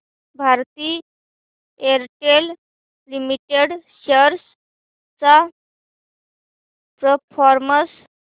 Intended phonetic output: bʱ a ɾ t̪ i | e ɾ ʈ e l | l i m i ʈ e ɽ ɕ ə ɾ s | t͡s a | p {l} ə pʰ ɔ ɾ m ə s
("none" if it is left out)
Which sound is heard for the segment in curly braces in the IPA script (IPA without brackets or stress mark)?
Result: ɾ